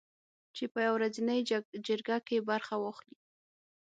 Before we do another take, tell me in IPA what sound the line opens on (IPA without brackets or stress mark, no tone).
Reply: t͡ʃ